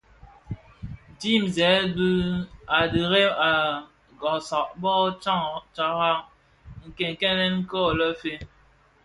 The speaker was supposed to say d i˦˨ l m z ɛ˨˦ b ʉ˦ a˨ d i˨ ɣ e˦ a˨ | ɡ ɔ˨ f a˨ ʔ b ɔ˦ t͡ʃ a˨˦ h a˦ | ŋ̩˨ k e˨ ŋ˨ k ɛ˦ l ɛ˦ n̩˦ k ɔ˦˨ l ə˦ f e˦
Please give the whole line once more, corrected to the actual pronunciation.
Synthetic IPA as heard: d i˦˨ m z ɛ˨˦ b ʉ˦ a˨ d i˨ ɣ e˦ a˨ | ɡ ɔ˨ s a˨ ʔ b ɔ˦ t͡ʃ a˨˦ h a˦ | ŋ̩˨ k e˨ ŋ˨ k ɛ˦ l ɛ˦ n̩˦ k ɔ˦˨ l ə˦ f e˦